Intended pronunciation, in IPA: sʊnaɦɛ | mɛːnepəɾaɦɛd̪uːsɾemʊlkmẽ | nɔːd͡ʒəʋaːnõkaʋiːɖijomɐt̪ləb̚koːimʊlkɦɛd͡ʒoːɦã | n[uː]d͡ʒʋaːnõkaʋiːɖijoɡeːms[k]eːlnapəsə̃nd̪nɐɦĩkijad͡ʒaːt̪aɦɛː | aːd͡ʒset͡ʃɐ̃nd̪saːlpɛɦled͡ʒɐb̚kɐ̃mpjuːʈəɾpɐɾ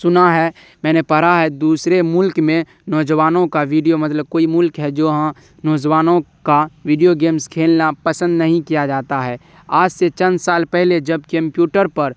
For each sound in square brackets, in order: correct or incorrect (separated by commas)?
incorrect, incorrect